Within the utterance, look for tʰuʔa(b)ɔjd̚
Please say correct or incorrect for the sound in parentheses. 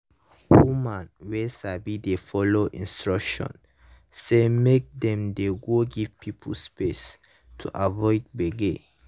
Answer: incorrect